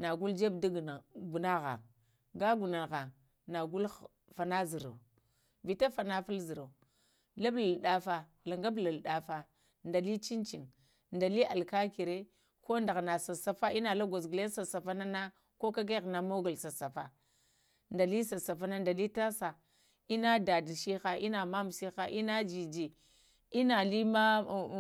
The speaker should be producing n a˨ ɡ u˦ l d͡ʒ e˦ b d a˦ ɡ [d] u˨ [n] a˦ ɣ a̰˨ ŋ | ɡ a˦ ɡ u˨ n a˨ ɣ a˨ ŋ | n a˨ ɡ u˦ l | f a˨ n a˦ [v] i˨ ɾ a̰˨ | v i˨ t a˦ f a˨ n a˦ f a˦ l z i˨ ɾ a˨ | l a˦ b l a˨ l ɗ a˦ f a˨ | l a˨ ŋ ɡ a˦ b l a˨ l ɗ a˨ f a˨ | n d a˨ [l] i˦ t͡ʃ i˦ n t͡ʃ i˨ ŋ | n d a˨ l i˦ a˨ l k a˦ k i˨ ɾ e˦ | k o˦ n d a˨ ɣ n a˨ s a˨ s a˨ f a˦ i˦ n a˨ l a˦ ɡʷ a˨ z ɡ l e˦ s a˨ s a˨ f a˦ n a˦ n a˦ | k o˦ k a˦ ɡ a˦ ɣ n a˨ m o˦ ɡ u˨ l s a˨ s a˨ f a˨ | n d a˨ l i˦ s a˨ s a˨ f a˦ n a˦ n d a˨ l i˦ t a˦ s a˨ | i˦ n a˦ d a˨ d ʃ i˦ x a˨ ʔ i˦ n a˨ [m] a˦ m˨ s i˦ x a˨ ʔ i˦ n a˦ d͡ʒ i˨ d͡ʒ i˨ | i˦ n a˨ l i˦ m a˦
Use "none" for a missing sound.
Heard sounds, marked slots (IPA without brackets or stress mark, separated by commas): ɡ, n, z, l, m